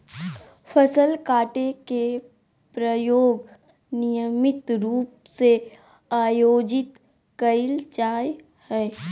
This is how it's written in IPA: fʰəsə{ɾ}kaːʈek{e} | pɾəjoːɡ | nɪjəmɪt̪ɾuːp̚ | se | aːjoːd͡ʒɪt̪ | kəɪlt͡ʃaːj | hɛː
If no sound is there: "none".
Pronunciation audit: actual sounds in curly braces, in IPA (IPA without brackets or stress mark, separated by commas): l, e